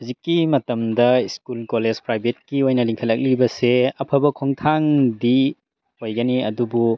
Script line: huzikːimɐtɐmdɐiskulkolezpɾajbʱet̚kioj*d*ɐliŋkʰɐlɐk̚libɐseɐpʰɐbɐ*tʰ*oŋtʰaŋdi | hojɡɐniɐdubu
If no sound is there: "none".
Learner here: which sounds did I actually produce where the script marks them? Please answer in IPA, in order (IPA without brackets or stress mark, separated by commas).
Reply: n, kʰ